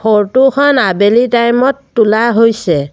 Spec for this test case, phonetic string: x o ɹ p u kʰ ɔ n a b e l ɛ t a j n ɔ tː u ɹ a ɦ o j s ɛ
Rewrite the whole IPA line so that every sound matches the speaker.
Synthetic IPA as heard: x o ɹ t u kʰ ɔ n a b e l i t a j m ɔ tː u l a ɦ o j s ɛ